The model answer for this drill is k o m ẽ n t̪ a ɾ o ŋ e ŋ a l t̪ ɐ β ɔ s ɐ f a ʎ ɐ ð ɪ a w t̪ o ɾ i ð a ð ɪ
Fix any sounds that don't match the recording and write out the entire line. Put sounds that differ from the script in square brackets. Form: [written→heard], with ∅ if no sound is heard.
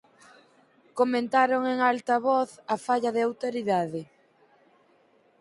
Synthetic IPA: k o m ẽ n t̪ a ɾ o ŋ e ŋ a l t̪ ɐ β ɔ [s→θ] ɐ f a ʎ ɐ ð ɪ a w t̪ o ɾ i ð a ð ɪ